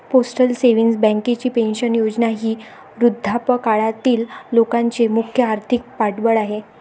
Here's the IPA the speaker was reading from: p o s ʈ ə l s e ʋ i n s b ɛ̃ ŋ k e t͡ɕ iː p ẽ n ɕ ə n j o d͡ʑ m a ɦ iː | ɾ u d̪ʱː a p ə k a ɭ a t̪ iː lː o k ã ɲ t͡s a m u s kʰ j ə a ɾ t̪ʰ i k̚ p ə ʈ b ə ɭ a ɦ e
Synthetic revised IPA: p o s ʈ ə l s e ʋ i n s b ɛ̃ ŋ k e t͡ɕ iː p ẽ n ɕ ə n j o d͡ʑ n a ɦ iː | ɾ u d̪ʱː a p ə k a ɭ a t̪ iː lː o k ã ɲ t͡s e m u kʰ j ə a ɾ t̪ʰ i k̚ p a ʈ b ə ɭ a ɦ e